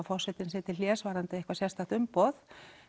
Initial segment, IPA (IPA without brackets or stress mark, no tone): f